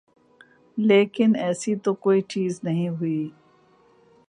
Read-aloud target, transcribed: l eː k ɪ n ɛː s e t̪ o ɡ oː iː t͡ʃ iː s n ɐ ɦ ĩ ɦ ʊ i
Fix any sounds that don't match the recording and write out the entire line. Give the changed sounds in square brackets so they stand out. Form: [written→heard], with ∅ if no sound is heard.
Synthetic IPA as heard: l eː k ɪ n ɛː s [e→i] t̪ o [ɡ→k] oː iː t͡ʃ iː [s→z] n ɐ ɦ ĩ ɦ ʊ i